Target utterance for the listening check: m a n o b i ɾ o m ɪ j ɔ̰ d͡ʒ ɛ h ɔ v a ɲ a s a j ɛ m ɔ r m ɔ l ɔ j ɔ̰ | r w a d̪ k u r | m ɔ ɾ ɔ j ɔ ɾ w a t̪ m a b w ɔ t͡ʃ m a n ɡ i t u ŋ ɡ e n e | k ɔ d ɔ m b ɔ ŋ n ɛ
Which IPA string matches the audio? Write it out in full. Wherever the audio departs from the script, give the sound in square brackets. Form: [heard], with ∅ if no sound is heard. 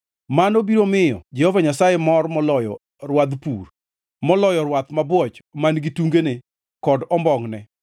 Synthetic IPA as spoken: m a n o b i ɾ o m ɪ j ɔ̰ d͡ʒ ɛ h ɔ v a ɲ a s a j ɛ m ɔ r m ɔ l ɔ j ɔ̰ | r w a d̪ [p] u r | m ɔ [l] ɔ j ɔ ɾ w a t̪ m a b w ɔ t͡ʃ m a n ɡ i t u ŋ ɡ e n e | k ɔ d ɔ m b ɔ ŋ n ɛ